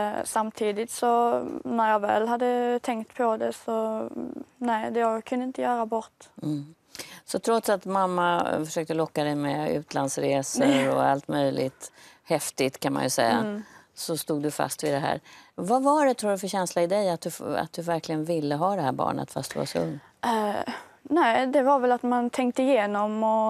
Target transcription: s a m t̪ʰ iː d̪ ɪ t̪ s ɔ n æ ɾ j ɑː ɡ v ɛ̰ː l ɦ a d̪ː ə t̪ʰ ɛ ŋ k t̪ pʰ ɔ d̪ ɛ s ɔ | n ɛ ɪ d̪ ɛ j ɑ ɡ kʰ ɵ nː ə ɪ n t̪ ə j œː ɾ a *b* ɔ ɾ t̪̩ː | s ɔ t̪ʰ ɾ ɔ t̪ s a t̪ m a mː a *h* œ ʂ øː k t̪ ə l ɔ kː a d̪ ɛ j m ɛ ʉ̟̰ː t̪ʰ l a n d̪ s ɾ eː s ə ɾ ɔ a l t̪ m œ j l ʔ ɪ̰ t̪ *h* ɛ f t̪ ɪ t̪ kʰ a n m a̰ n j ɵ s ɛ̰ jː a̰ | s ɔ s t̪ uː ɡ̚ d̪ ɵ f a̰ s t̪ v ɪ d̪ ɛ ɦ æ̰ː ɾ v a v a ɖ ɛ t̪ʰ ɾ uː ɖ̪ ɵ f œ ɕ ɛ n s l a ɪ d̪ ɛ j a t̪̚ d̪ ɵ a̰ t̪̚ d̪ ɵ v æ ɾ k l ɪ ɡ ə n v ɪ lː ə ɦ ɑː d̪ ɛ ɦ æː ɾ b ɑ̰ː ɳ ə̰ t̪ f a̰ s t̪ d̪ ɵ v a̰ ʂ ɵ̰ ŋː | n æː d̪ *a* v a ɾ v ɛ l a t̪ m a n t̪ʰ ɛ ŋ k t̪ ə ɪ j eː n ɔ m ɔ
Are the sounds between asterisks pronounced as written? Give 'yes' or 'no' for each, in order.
yes, no, yes, no

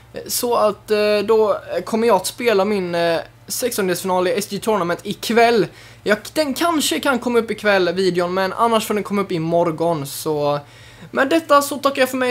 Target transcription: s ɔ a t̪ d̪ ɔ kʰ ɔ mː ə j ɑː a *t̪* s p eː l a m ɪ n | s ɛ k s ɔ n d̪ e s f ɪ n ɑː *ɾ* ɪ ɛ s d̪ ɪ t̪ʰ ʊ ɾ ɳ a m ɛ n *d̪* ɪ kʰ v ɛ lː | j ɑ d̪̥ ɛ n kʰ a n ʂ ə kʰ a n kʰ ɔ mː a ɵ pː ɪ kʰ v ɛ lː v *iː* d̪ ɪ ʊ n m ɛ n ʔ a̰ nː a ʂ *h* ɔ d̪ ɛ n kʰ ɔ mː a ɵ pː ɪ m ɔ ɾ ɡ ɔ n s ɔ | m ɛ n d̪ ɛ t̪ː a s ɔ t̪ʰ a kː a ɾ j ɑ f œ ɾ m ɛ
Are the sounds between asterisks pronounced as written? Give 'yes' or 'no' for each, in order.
yes, no, no, yes, no

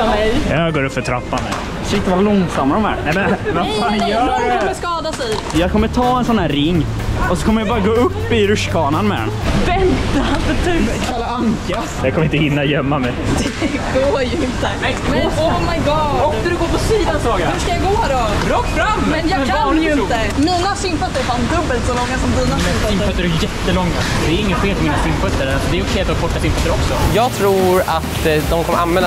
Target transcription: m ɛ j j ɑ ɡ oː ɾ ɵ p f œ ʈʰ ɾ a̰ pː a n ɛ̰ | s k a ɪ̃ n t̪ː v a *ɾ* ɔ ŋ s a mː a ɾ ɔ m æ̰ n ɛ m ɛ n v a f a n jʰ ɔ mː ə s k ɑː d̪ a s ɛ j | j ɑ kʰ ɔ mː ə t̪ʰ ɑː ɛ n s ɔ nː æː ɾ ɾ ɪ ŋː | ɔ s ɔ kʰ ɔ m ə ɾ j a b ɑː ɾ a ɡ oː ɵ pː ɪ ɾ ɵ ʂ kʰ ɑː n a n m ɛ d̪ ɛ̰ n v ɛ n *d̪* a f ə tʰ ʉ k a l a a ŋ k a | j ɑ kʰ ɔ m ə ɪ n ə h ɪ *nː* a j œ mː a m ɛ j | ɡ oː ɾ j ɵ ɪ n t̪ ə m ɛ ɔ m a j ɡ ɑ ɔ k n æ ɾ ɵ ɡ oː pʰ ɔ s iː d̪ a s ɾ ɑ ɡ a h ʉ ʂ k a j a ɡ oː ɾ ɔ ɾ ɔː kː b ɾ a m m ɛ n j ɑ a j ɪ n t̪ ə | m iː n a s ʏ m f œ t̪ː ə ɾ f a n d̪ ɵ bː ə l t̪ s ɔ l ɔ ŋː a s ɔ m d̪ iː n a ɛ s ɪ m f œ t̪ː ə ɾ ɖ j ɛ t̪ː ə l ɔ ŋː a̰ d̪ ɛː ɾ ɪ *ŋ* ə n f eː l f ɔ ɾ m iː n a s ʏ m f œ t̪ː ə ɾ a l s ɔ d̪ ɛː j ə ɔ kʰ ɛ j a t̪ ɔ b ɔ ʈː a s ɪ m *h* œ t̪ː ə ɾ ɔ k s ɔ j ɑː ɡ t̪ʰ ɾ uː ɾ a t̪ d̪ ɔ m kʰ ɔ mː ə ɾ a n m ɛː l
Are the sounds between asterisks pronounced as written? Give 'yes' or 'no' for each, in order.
no, no, yes, no, no

